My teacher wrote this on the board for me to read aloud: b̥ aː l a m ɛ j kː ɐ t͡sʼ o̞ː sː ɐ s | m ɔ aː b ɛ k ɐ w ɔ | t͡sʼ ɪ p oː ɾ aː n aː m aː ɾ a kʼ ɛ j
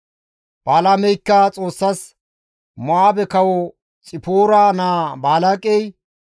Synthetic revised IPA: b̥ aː l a m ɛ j kː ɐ t͡sʼ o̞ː sː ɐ s | m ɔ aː b ɛ k ɐ w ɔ | t͡sʼ ɪ p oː ɾ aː n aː b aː l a kʼ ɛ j